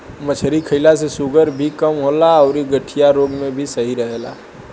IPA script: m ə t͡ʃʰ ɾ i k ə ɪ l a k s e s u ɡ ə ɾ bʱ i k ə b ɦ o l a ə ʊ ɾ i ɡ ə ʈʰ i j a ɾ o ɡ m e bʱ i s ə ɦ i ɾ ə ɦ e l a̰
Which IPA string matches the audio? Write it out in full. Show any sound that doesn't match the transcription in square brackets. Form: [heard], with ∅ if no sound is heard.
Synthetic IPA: m ə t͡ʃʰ ɾ i [kʰ] ə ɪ l a [∅] s e s u ɡ ə ɾ bʱ i k ə [m] ɦ o l a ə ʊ ɾ i ɡ ə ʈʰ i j a ɾ o ɡ m e bʱ i s ə ɦ i ɾ ə ɦ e l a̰